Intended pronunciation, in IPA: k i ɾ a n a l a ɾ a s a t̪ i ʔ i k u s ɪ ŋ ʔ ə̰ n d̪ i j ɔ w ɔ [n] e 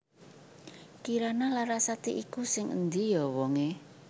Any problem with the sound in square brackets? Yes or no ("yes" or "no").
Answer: yes